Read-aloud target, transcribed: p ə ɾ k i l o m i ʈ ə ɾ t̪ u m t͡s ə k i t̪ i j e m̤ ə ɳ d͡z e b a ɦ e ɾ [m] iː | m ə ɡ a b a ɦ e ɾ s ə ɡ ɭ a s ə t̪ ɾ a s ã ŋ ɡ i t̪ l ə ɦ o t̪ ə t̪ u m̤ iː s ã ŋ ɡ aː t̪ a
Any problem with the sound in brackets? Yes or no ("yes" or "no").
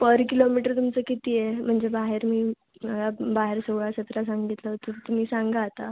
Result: no